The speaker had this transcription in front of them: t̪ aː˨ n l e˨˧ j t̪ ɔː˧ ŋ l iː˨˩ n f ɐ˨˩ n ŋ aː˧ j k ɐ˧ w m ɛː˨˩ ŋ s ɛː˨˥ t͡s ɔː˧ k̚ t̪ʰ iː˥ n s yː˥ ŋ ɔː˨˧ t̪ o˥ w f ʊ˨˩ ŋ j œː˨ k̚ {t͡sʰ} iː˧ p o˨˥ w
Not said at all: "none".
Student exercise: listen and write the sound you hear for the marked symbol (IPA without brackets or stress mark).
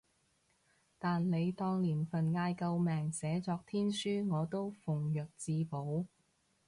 t͡s